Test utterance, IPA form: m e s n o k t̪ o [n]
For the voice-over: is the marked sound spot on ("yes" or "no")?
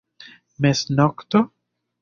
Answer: no